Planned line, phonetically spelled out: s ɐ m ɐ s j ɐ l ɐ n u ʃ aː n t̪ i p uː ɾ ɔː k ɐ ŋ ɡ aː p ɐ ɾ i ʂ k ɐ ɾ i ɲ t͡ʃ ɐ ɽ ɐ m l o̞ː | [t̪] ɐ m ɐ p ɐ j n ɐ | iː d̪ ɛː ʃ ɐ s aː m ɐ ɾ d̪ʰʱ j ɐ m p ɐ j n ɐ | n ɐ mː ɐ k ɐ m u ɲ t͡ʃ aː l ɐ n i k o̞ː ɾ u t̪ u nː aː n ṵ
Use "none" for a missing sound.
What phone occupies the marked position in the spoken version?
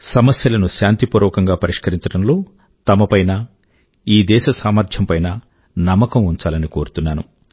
t̪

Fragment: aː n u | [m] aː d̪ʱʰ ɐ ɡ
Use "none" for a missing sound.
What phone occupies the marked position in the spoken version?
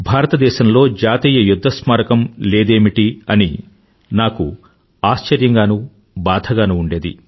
b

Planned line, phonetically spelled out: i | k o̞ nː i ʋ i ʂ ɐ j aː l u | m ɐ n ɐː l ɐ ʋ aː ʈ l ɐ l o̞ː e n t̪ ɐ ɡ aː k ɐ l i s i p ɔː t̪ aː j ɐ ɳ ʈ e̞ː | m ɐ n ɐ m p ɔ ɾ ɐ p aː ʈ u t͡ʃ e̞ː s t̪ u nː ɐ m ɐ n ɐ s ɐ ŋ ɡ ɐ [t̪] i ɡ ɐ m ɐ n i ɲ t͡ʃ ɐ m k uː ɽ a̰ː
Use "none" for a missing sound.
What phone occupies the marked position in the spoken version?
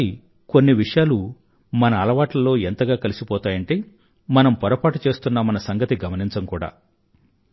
t̪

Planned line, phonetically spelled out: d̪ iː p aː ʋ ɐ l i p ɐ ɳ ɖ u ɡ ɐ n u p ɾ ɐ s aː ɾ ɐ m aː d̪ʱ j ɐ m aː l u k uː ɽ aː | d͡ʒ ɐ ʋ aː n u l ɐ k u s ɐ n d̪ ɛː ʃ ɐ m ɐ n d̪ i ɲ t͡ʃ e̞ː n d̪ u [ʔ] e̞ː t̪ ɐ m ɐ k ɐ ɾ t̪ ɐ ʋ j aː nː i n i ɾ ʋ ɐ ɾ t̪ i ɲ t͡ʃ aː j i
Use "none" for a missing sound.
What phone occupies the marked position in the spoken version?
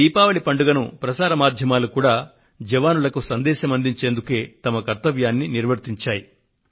k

